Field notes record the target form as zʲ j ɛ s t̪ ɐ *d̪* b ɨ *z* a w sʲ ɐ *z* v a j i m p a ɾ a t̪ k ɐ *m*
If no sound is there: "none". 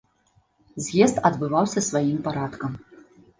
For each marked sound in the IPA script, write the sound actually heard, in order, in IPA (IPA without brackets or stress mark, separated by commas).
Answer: d̪, v, s, m